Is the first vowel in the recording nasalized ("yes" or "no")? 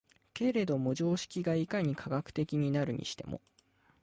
no